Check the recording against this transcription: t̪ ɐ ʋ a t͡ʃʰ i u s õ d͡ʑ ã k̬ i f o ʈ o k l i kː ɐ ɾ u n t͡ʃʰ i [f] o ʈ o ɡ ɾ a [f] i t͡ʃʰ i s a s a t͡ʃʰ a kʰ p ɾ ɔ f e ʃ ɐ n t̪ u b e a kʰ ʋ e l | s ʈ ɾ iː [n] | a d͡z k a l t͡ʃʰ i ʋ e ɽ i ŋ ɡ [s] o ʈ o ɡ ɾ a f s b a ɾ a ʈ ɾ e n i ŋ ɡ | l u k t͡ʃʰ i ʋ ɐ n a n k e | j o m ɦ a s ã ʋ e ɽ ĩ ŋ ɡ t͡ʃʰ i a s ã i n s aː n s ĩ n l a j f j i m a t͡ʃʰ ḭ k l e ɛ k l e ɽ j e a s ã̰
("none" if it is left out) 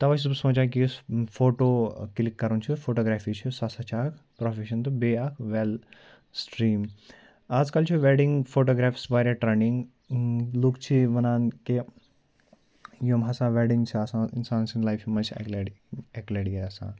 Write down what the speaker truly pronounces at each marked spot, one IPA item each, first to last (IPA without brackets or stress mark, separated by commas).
f, f, m, f